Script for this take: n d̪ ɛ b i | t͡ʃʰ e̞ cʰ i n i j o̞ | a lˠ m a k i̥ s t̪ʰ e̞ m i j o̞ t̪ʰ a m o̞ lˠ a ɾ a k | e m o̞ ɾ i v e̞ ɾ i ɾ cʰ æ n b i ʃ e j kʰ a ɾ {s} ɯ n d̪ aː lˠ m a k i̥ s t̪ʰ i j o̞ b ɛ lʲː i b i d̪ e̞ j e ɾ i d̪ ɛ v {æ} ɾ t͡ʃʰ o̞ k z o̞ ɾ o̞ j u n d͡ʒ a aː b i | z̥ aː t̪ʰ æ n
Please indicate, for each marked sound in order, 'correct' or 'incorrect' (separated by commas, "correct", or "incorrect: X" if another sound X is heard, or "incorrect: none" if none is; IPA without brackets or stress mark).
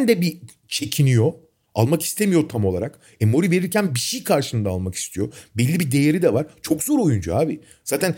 incorrect: ʃ, incorrect: a